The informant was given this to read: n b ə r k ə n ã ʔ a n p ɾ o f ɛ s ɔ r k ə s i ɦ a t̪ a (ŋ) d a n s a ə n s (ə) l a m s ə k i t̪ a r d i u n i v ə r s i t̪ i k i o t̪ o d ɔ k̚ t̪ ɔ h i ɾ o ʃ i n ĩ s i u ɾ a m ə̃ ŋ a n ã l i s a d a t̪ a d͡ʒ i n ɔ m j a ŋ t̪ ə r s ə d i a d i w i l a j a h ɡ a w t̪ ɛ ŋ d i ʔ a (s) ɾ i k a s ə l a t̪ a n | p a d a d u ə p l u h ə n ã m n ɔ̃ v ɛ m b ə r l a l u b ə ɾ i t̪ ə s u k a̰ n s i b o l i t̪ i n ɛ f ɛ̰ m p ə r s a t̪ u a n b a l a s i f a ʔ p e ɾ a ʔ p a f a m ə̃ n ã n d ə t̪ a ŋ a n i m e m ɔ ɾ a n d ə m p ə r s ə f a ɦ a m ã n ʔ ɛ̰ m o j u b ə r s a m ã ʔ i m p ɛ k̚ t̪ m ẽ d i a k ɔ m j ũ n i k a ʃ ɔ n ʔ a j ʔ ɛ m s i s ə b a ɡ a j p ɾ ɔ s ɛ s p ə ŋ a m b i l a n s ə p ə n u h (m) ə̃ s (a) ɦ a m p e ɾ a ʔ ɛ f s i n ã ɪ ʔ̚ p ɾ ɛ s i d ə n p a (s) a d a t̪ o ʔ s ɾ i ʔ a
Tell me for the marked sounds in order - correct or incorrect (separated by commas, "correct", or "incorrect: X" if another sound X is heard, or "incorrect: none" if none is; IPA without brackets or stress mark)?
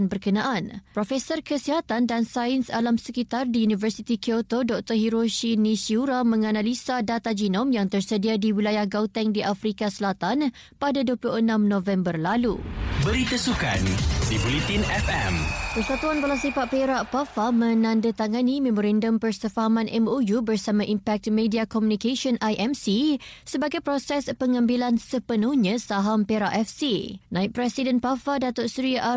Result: incorrect: n, incorrect: a, incorrect: f, incorrect: ɲ, correct, incorrect: f